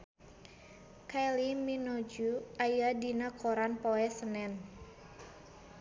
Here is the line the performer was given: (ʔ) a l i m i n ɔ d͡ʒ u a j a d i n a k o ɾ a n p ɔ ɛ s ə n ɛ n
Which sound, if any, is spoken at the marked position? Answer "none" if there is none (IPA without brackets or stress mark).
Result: k